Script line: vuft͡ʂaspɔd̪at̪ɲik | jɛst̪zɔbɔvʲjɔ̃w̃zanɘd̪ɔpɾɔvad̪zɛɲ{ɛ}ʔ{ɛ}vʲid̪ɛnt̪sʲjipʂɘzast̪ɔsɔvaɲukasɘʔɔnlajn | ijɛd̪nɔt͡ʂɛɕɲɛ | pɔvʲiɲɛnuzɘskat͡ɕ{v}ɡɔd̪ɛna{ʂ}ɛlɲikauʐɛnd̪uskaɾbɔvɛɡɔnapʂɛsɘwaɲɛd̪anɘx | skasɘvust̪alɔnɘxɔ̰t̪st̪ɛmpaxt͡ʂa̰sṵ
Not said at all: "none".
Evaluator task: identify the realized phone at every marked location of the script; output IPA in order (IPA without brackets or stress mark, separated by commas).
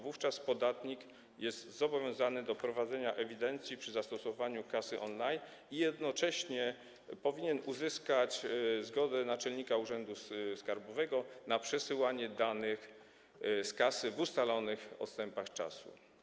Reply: a, ɛ, z, t͡ʂ